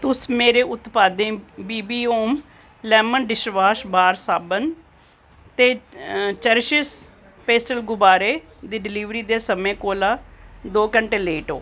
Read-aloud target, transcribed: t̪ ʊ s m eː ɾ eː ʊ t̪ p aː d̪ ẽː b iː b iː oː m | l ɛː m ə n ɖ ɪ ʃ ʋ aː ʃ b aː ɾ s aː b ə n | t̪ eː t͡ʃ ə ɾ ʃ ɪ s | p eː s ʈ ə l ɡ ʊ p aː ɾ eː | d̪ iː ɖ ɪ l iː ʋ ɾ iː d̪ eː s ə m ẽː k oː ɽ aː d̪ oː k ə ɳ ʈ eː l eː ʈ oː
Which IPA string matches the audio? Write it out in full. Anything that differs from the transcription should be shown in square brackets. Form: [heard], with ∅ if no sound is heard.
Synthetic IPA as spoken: t̪ ʊ s m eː ɾ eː ʊ t̪ p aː d̪ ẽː b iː b iː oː m | l ɛː m ə n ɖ ɪ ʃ ʋ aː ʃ b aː ɾ s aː b ə n | t̪ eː t͡ʃ ə ɾ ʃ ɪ s | p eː s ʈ ə l ɡ ʊ [b] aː ɾ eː | d̪ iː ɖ ɪ l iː ʋ ɾ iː d̪ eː s ə m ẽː k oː [l] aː d̪ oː k ə ɳ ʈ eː l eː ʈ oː